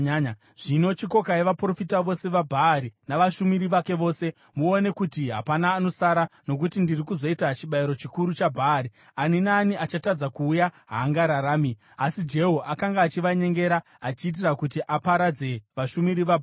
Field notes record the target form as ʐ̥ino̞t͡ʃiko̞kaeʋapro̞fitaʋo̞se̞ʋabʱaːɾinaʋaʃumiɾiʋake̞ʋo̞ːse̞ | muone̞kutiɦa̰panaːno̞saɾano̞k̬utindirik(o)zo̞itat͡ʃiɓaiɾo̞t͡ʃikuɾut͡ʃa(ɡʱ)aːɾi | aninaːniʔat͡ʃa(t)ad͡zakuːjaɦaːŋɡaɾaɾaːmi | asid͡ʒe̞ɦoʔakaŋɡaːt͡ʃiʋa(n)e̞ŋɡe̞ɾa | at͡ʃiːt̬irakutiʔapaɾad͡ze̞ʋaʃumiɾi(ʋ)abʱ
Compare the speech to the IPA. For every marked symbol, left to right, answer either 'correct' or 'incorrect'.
incorrect: u, incorrect: bʱ, correct, incorrect: ɲ, correct

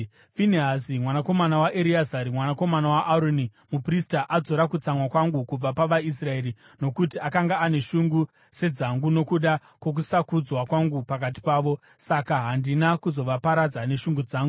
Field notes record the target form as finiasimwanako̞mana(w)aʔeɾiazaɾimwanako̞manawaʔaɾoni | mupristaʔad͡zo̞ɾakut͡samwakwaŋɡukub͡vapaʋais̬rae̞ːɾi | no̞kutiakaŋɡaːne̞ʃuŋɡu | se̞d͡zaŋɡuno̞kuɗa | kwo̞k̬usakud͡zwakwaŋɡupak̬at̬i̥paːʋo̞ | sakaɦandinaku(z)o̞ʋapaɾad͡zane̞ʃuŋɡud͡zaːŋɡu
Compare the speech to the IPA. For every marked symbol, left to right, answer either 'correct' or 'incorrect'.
correct, correct

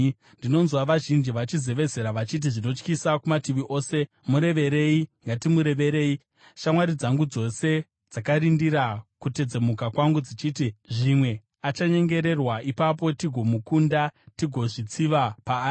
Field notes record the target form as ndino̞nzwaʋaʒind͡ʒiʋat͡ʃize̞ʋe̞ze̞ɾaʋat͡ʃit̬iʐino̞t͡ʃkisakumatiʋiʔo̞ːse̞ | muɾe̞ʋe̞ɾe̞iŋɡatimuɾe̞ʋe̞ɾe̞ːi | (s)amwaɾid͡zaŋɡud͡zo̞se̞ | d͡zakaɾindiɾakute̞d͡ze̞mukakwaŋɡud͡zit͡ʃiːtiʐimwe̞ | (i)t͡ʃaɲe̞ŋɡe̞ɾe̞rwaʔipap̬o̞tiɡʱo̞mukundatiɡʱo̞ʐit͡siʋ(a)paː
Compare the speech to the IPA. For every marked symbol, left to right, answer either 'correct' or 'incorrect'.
incorrect: ʃ, incorrect: a, correct

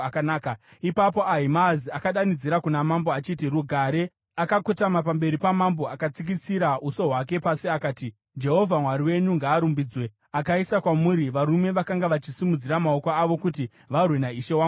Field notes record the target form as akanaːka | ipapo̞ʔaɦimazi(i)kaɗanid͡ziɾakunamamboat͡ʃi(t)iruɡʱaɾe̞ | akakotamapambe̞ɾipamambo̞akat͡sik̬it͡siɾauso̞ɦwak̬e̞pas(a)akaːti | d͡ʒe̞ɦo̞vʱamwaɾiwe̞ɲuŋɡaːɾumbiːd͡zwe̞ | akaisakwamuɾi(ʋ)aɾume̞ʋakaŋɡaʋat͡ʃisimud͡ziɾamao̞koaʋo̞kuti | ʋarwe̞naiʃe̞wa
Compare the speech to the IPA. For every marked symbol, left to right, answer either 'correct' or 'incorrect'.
incorrect: a, correct, incorrect: i, correct

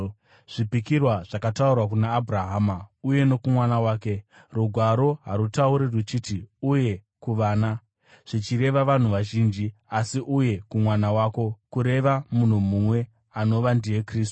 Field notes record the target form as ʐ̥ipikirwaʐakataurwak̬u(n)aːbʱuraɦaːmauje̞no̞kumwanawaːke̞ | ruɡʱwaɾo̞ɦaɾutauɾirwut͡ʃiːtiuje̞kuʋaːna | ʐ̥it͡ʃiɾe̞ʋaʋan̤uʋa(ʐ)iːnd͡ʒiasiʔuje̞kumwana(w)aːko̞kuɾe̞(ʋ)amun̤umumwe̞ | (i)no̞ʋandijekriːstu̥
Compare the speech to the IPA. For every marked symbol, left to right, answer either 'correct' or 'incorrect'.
correct, incorrect: ʒ, correct, correct, incorrect: a

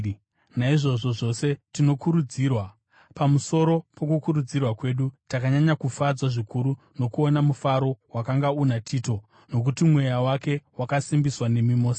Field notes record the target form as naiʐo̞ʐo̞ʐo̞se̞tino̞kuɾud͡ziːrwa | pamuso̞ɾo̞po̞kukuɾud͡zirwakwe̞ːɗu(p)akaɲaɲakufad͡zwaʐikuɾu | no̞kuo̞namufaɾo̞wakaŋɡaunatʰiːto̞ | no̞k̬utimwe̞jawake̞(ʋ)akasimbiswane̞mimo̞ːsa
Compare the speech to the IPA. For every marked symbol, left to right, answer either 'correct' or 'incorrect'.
incorrect: t, incorrect: w

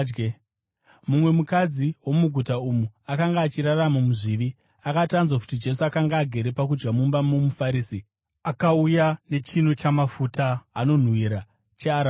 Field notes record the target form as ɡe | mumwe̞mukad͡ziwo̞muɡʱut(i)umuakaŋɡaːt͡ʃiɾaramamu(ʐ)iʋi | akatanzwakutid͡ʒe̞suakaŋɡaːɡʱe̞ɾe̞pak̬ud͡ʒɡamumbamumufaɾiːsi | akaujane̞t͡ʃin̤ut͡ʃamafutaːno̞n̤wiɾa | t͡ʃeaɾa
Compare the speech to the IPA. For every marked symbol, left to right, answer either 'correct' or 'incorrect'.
incorrect: a, correct

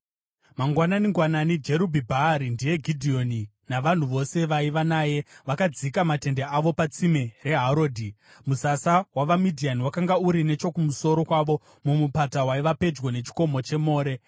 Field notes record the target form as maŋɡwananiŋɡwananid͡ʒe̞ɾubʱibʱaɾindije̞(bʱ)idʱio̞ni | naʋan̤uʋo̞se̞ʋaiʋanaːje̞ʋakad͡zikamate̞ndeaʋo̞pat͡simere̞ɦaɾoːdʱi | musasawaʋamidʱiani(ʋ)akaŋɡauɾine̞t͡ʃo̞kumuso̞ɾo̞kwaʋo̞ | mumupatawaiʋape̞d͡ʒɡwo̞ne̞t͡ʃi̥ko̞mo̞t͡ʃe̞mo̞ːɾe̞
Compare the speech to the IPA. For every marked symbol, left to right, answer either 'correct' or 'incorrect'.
incorrect: ɡʱ, incorrect: w

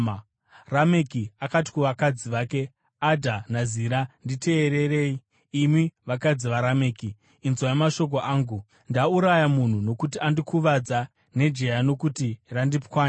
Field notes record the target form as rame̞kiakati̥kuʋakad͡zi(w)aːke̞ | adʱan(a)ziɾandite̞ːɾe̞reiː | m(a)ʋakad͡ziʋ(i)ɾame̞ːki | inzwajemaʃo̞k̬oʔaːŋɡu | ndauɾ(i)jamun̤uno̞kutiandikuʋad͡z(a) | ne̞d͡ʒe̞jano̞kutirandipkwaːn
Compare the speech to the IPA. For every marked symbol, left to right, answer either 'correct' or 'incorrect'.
incorrect: ʋ, correct, incorrect: i, incorrect: a, incorrect: a, correct

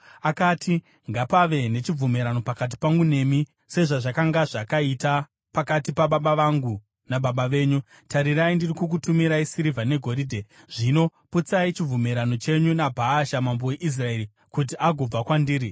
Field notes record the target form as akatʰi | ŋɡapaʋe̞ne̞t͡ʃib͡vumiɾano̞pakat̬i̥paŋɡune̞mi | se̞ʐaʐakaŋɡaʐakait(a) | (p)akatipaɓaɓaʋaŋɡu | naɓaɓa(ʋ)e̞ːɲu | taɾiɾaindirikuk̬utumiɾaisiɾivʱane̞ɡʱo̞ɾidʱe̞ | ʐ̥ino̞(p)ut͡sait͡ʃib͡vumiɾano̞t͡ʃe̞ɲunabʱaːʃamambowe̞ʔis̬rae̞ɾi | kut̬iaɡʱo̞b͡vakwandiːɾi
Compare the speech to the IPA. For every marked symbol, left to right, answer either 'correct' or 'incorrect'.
correct, correct, correct, correct

